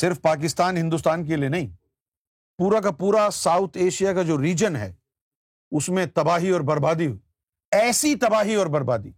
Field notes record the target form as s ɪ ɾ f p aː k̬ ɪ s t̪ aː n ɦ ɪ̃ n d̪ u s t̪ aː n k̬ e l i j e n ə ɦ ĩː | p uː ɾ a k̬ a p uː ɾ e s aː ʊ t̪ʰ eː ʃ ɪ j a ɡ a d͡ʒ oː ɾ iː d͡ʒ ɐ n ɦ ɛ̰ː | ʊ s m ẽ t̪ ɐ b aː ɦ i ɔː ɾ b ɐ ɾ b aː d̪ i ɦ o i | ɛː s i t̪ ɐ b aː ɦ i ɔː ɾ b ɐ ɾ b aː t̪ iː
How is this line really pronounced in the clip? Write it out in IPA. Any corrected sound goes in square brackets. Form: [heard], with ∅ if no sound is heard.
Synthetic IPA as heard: s ɪ ɾ f p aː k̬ ɪ s t̪ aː n ɦ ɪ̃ n d̪ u s t̪ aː n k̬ e l i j e n [ɐ] ɦ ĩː | p uː ɾ a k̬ a p uː ɾ [a] s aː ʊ t̪ʰ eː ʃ [i] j a [k] a d͡ʒ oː ɾ iː d͡ʒ [ə] n ɦ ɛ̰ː | ʊ s m ẽ t̪ ɐ b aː ɦ i ɔː ɾ b ɐ ɾ b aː d̪ i ɦ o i | ɛː s i t̪ ɐ b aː ɦ i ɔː ɾ b ɐ ɾ b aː [d̪] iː